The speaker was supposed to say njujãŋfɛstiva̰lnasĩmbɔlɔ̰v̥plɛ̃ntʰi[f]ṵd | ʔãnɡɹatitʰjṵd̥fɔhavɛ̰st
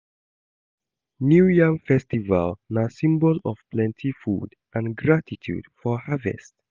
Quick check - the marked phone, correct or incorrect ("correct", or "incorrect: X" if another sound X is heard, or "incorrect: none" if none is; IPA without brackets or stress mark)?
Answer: correct